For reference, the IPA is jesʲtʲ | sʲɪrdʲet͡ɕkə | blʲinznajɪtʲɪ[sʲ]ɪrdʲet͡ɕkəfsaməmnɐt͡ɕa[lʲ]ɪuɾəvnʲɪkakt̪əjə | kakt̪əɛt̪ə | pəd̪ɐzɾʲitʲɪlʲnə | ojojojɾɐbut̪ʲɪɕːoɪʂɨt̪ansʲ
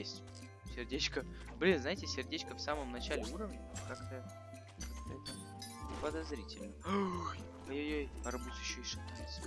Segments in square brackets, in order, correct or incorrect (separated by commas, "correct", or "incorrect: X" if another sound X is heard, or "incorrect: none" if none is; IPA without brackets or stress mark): correct, correct